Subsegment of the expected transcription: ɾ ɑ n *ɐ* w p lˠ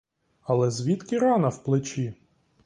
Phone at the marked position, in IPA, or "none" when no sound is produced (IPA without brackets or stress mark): ɐ